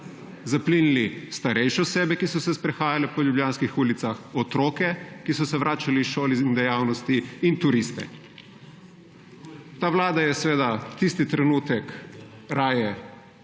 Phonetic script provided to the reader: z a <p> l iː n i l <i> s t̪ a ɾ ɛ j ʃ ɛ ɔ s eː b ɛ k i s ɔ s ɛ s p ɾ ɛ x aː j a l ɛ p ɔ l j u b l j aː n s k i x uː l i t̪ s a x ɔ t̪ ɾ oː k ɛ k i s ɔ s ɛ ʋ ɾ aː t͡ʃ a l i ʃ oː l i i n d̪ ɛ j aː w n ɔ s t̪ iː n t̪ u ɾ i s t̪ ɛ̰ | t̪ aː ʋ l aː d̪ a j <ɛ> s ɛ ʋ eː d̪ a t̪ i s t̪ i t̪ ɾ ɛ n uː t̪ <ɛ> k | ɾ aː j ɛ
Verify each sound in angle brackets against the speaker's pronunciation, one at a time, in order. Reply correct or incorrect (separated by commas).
correct, correct, correct, correct